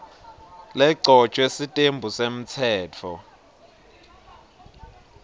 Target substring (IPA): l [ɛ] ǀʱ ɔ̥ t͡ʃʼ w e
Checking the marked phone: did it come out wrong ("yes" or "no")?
no